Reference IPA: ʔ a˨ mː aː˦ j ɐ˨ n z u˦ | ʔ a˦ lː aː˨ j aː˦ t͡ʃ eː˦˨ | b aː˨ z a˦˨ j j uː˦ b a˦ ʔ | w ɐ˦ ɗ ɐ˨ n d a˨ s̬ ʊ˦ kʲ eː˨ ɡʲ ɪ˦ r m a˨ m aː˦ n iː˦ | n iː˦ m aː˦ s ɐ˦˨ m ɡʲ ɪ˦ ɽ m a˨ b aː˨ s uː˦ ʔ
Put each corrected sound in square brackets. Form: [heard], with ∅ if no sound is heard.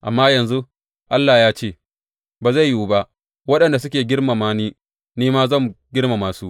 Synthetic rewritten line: ʔ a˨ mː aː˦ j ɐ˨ n z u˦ | ʔ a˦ lː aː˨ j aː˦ t͡ʃ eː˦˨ | b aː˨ z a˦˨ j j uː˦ b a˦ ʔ | w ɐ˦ ɗ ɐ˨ n d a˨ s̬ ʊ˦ kʲ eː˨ ɡʲ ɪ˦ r m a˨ m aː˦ n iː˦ | n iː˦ m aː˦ [z] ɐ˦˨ m ɡʲ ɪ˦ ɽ m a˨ [m] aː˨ s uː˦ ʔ